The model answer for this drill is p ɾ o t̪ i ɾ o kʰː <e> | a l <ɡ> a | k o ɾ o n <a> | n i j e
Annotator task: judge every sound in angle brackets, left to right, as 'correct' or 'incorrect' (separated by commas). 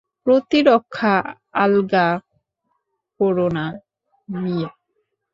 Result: incorrect, correct, correct